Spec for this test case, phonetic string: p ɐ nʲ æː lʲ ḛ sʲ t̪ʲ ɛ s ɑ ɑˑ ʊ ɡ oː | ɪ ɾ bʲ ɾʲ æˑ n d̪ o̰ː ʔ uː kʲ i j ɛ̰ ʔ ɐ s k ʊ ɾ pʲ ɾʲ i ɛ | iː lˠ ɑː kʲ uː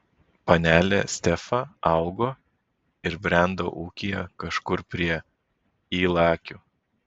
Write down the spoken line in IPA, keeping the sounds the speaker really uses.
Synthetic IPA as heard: p ɐ nʲ æː lʲ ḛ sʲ t̪ʲ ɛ f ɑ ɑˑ ʊ ɡ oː | ɪ ɾ bʲ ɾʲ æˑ n d̪ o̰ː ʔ uː kʲ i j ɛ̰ k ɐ ʃ k ʊ ɾ pʲ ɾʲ i ɛ | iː lˠ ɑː kʲ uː